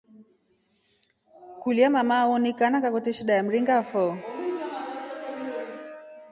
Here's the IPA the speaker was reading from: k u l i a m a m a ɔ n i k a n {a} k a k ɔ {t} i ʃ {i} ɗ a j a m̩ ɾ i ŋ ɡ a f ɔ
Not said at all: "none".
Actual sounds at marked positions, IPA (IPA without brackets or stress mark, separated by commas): a, t, i